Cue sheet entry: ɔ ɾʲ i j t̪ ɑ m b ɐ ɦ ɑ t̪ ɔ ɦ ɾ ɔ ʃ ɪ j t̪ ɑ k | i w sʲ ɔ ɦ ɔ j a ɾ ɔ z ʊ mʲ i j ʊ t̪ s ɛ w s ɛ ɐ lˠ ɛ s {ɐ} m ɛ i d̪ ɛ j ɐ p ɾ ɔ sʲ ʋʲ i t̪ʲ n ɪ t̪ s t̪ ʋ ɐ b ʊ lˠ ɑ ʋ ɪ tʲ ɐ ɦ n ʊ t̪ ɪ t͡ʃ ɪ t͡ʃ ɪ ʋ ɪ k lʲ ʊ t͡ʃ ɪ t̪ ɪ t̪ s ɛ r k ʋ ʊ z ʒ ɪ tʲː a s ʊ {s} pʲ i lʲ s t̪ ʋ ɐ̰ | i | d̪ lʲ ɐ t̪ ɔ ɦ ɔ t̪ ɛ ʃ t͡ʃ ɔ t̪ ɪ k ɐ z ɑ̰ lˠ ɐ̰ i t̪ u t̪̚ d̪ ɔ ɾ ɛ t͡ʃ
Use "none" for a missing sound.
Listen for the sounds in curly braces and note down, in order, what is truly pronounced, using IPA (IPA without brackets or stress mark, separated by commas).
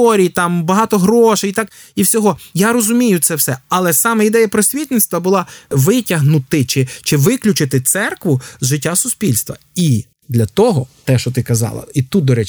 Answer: ɑ, s